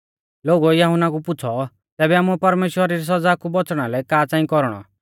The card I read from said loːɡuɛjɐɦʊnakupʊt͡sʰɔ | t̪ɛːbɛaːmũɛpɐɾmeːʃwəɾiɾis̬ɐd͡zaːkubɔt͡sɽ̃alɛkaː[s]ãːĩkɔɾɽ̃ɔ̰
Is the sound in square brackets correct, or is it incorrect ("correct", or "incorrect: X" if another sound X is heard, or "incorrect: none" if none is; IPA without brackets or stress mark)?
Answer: incorrect: t͡s